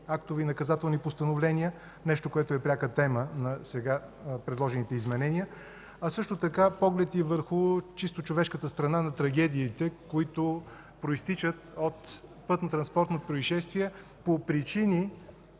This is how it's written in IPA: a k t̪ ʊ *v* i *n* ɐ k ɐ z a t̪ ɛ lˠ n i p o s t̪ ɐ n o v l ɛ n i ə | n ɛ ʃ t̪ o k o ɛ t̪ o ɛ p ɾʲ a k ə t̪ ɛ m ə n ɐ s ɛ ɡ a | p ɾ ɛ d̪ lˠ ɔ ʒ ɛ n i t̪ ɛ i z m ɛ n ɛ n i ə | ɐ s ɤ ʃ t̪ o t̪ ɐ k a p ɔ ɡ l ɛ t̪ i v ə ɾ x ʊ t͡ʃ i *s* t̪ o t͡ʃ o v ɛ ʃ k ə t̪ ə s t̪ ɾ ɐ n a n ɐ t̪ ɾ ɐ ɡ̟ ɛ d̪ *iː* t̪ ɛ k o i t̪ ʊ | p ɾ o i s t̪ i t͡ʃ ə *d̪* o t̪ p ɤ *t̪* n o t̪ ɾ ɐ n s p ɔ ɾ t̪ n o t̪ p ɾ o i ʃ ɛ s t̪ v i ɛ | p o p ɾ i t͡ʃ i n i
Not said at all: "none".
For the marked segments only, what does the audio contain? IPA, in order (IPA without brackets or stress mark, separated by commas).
v, n, s, iː, t̪, t̪